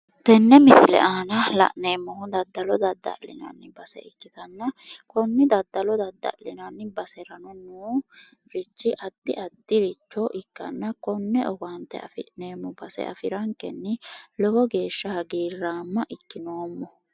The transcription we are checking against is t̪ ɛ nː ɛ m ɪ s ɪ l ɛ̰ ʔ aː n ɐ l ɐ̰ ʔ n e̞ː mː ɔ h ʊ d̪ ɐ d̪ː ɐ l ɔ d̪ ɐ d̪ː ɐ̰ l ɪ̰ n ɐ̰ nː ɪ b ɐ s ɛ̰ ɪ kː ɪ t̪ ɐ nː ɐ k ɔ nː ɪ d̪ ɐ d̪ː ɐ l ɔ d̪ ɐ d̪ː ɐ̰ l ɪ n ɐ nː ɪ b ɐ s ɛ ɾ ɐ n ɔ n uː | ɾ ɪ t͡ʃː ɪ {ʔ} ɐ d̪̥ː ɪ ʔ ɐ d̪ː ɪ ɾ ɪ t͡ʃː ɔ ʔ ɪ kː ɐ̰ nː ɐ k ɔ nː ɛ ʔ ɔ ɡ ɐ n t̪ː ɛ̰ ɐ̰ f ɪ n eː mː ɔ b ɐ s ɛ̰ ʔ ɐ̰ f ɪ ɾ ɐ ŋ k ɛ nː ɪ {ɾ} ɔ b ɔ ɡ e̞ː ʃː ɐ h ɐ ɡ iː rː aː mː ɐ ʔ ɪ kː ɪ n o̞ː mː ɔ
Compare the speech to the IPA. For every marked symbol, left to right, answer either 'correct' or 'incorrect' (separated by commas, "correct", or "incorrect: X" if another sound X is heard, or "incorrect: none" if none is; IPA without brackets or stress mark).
correct, incorrect: l